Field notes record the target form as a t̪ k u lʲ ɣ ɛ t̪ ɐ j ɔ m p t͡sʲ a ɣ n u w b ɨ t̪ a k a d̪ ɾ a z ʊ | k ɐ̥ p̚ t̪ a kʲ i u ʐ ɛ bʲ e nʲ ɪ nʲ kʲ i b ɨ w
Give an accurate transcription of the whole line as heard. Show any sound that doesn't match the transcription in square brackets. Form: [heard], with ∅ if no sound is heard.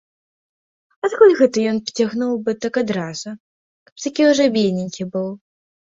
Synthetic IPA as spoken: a t̪ k u lʲ ɣ ɛ t̪ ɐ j ɔ [n] p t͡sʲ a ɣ n u w b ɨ t̪ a k a d̪ ɾ a z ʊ | k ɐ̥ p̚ t̪ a kʲ i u ʐ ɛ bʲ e nʲ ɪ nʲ kʲ i b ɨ w